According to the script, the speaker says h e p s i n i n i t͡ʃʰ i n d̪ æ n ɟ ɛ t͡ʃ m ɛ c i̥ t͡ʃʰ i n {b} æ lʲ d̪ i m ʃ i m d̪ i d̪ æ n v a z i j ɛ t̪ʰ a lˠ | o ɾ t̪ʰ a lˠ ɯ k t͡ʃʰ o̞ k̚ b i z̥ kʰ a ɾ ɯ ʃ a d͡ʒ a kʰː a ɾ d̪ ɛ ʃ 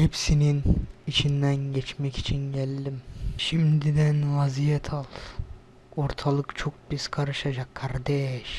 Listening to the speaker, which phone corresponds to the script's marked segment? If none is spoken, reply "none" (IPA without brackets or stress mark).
ɟ